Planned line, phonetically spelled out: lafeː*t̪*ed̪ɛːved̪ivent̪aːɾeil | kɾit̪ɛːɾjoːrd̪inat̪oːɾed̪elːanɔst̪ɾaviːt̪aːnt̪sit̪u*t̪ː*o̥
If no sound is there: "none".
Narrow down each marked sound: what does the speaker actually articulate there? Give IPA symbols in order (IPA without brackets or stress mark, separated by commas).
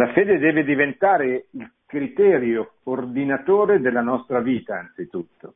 d̪, t̪ː